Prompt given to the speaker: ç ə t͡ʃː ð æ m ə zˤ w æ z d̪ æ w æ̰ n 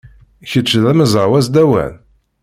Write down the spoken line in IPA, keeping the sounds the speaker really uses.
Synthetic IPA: ç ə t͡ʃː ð æ m ə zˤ w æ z d̪ æ w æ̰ n